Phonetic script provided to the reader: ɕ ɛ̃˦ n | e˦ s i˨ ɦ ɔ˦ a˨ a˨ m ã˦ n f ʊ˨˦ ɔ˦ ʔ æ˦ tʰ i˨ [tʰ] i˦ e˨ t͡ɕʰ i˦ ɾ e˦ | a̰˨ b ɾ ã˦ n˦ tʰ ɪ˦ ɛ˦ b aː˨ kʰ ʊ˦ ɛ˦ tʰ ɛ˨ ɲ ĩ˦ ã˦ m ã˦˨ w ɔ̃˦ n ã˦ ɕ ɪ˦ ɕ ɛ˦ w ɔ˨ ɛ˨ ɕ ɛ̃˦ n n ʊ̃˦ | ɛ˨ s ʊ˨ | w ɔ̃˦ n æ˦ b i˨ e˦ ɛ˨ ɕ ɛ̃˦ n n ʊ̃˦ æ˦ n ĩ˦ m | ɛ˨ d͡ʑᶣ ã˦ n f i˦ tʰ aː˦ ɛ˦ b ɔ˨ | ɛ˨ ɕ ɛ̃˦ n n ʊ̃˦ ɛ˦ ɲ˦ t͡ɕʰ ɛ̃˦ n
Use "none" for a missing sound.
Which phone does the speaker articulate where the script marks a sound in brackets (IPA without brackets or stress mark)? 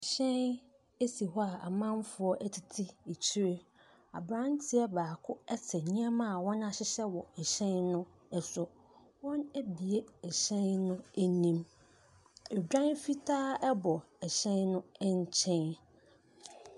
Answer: tʰ